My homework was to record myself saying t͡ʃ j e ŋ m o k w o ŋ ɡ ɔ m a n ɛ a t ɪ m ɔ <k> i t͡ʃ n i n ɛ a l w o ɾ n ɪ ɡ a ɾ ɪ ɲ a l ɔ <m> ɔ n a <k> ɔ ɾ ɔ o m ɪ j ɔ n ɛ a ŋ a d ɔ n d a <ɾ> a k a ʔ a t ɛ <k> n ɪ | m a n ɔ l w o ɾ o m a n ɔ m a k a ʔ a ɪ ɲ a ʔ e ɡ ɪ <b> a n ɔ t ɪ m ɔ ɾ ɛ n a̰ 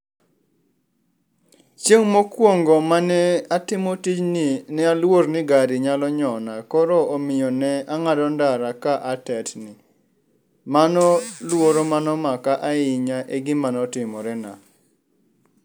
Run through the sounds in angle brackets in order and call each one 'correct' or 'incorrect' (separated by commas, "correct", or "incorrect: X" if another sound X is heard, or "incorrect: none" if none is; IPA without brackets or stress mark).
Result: incorrect: t, incorrect: ɲ, correct, correct, incorrect: t, incorrect: m